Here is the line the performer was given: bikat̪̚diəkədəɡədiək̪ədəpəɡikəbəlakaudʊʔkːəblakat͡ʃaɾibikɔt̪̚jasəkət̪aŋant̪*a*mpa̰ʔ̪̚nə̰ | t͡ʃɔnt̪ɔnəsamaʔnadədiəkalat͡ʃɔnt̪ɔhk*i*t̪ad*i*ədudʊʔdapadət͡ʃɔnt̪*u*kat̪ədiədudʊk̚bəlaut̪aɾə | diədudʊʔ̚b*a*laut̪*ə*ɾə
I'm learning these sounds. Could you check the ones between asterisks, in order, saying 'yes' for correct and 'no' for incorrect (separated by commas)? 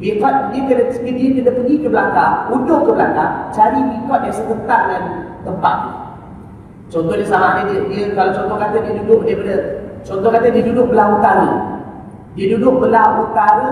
no, no, yes, no, no, no